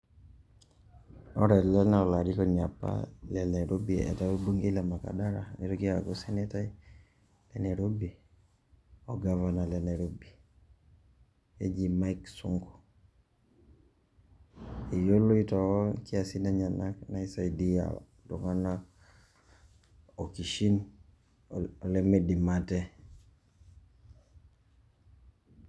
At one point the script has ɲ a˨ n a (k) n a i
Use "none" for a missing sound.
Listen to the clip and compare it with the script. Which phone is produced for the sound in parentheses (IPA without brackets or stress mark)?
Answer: k